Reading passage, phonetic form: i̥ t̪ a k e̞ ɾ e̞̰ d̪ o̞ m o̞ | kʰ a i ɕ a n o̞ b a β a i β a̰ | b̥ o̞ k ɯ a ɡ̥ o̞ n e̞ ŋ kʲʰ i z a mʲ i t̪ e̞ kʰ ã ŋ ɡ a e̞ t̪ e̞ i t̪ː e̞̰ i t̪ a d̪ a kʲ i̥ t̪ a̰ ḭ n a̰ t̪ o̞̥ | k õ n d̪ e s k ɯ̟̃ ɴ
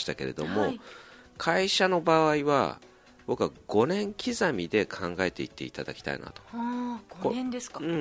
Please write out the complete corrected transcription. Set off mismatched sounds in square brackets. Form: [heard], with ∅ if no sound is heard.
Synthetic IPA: i̥ t̪ a k e̞ ɾ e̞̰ d̪ o̞ m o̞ | kʰ a i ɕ a n o̞ b a β a i β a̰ | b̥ o̞ k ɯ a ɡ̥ o̞ n [ẽ̞] ŋ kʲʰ i z a mʲ i [d̪] e̞ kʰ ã ŋ ɡ a e̞ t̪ e̞ i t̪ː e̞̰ i t̪ a d̪ a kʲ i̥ t̪ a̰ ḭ n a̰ t̪ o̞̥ | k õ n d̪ e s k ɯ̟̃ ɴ